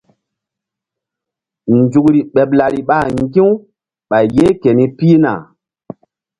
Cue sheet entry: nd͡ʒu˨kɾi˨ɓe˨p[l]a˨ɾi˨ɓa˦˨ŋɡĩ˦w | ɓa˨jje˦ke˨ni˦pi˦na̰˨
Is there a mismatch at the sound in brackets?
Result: no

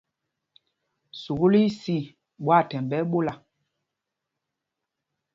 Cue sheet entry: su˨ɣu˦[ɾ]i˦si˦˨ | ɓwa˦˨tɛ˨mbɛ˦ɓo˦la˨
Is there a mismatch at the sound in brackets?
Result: yes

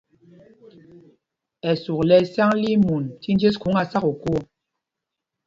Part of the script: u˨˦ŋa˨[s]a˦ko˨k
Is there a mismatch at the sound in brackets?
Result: no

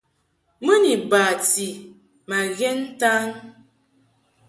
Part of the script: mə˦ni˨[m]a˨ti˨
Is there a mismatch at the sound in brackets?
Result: yes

